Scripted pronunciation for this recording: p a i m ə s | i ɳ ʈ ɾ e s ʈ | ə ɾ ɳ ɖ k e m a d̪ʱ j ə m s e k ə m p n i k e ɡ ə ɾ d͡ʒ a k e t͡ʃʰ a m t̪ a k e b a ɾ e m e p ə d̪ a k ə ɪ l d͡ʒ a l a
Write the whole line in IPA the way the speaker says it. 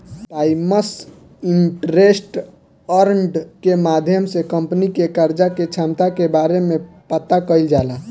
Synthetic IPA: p a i m ə s | i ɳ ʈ ɾ e s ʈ | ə ɾ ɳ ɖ k e m a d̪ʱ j ə m s e k ə m p n i k e k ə ɾ d͡ʒ a k e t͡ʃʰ a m t̪ a k e b a ɾ e m e p ə t̪ a k ə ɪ l d͡ʒ a l a